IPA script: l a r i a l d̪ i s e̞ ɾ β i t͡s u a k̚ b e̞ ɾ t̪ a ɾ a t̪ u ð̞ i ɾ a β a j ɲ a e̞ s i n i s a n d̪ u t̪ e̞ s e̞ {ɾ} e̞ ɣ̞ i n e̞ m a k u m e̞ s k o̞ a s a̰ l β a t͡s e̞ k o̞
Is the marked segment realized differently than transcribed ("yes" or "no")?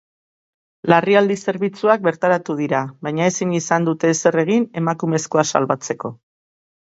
yes